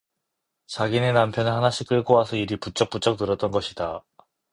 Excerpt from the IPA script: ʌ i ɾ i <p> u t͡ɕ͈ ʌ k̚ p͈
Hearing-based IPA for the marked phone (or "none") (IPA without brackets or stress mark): p